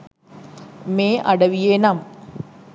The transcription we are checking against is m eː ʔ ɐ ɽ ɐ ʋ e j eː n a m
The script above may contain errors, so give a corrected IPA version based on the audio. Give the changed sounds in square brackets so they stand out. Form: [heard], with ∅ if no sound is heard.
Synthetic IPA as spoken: m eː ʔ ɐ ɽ ɐ ʋ [i] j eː n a m